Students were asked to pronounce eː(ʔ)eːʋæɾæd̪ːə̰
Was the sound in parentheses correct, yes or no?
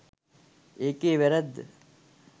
no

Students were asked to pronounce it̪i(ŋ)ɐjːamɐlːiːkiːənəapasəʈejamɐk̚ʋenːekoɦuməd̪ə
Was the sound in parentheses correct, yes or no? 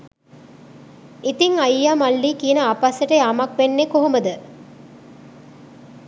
yes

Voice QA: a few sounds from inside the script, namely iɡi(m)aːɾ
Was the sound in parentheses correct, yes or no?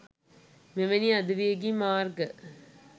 yes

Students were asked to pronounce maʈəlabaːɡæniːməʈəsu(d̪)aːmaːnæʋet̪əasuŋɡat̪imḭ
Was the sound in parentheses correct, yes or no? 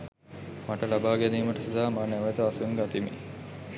yes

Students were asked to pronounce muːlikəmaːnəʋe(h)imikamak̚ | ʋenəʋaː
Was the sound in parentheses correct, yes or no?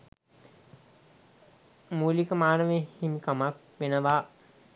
yes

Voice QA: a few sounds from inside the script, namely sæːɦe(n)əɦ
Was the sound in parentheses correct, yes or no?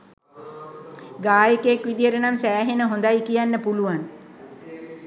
yes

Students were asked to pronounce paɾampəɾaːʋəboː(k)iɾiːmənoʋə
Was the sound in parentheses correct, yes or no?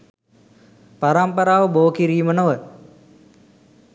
yes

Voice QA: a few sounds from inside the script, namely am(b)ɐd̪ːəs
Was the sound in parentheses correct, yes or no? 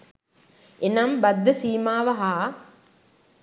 yes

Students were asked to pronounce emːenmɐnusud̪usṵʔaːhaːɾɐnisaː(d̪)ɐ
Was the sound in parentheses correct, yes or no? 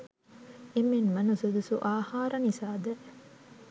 yes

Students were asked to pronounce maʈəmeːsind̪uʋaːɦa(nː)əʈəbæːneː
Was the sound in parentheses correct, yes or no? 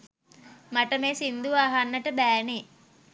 yes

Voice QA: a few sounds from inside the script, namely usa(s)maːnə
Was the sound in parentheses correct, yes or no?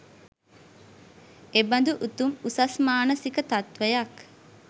yes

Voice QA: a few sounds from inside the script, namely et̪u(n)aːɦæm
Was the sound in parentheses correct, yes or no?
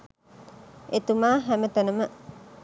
no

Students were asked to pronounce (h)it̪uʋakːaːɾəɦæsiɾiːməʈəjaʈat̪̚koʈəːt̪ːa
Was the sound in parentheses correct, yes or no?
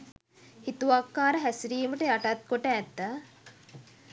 yes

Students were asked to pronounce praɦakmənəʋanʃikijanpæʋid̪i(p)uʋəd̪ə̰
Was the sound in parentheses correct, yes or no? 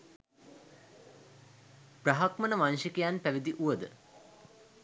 no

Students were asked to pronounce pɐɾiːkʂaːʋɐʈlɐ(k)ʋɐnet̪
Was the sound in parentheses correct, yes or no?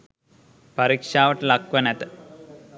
yes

